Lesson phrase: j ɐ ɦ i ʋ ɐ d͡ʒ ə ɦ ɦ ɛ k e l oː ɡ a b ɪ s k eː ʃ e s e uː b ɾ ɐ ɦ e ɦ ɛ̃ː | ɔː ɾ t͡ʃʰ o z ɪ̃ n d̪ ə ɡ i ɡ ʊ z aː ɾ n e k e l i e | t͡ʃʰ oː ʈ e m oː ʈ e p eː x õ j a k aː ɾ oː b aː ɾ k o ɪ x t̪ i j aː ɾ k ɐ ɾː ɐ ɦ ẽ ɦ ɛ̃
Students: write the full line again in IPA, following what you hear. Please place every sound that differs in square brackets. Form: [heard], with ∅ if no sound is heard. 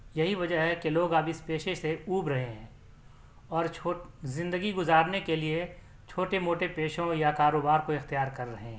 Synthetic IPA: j ɐ ɦ i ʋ ɐ d͡ʒ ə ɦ ɦ ɛ k e l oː ɡ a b ɪ s [p] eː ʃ e s e uː b ɾ ɐ ɦ e ɦ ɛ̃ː | ɔː ɾ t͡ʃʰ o z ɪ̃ n d̪ ə ɡ i ɡ ʊ z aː ɾ n e k e l i e | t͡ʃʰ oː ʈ e m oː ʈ e p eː [ʃ] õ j a k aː ɾ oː b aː ɾ k o ɪ x t̪ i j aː ɾ k ɐ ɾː ɐ ɦ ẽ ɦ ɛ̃